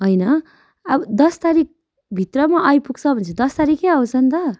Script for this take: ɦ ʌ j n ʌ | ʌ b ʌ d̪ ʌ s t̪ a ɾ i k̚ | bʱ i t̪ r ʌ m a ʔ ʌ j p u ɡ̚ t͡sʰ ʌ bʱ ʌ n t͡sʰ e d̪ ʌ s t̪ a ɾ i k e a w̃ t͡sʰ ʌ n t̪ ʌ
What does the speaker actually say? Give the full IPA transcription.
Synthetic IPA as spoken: ɦ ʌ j n ʌ | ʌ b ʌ d̪ ʌ s t̪ a ɾ i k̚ | bʱ i t̪ r ʌ m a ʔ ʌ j p u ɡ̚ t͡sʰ ʌ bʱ ʌ n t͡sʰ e d̪ ʌ s t̪ a ɾ i k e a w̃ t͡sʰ ʌ n t̪ ʌ